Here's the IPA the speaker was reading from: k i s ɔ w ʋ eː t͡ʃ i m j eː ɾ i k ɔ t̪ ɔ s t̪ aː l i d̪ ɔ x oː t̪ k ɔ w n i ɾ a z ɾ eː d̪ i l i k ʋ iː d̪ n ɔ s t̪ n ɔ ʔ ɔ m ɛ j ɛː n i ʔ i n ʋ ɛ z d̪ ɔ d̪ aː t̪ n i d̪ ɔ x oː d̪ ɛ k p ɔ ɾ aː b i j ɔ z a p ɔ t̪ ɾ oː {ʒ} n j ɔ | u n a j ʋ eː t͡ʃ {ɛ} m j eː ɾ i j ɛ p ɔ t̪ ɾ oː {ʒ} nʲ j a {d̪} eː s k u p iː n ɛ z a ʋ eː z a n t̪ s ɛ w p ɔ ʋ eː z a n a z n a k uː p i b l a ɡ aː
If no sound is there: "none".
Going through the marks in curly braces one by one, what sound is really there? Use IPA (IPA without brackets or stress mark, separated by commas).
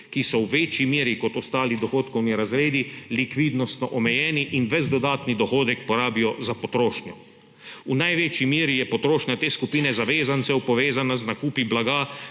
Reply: ʃ, i, ʃ, t̪